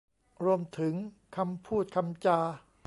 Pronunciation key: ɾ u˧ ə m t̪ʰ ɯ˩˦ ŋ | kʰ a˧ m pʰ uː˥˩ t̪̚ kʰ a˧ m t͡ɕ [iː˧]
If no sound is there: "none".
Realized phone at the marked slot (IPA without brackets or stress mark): aː˧